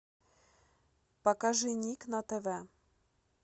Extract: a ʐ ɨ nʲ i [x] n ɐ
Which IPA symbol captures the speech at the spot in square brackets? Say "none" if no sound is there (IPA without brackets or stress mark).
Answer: k